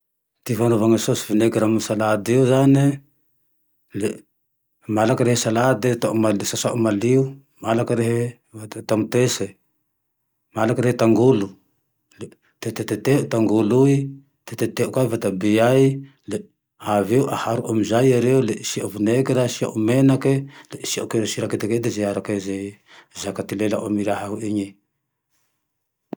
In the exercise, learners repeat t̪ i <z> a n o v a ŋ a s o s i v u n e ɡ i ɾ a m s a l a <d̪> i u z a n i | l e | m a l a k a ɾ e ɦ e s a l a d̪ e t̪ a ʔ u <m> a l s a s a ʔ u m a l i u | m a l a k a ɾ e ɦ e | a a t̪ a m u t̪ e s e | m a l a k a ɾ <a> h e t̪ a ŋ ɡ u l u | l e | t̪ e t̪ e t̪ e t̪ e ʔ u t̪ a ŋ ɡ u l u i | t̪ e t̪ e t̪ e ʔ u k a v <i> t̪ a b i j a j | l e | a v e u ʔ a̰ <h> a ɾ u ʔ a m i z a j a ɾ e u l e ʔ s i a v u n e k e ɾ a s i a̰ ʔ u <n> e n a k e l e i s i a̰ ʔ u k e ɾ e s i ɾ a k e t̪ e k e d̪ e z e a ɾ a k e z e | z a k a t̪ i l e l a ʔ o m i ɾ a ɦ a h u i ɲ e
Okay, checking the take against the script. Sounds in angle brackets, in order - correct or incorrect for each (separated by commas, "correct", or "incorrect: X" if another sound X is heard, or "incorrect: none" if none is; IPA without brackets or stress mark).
incorrect: v, correct, correct, incorrect: e, incorrect: a, correct, incorrect: m